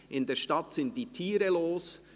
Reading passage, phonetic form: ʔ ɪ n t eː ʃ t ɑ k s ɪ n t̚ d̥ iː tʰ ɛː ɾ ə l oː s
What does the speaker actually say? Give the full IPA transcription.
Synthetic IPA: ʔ ɪ n d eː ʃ t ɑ t s ɪ n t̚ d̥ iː tʰ iː ɾ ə l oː s